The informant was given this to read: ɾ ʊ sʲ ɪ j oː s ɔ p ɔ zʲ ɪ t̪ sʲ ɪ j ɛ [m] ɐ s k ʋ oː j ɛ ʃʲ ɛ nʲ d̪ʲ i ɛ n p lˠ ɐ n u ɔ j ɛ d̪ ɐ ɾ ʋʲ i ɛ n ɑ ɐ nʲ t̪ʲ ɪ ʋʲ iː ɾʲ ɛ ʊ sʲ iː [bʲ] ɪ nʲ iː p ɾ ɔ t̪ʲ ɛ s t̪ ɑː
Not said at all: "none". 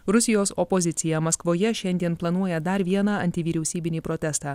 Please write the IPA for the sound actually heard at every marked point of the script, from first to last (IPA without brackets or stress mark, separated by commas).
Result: m, bʲ